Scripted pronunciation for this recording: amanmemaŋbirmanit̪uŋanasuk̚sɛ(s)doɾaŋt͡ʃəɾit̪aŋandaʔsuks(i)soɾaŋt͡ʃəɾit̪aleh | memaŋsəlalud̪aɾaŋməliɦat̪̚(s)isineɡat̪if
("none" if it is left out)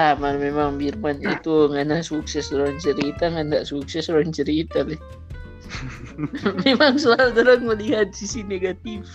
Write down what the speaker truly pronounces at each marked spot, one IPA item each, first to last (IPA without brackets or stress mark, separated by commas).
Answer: s, ɛ, s